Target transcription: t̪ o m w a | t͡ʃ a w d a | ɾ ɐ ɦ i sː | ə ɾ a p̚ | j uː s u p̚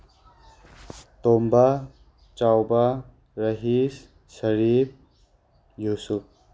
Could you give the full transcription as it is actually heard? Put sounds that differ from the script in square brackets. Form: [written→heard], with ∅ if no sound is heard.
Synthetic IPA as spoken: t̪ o m [w→b] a | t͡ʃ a w [d→b] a | ɾ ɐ ɦ i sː | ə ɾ [a→i] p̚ | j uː s u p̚